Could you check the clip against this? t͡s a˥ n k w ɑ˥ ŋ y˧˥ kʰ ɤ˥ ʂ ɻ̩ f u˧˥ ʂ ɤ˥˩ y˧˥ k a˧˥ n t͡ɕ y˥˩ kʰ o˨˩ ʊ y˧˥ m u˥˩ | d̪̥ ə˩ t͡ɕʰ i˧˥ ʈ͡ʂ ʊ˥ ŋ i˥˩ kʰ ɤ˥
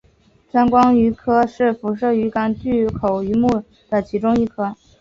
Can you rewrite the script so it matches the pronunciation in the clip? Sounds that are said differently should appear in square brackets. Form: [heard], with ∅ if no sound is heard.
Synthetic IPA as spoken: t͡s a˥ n k w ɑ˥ ŋ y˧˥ kʰ ɤ˥ ʂ ɻ̩ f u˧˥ ʂ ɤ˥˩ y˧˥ k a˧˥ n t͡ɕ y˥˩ kʰ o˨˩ ʊ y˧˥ m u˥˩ | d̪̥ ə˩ t͡ɕʰ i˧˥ ʈ͡ʂ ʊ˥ ŋ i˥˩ kʰ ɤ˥